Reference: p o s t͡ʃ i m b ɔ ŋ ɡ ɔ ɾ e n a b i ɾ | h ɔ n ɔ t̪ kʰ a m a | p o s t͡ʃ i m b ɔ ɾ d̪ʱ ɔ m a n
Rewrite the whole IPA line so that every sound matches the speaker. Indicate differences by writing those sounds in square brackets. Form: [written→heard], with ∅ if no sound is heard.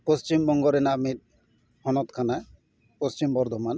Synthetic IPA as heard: p o s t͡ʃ i m b ɔ ŋ ɡ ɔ ɾ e n a [b→m] i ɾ | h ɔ n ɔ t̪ kʰ a [m→n] a | p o s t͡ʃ i m b ɔ ɾ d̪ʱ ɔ m a n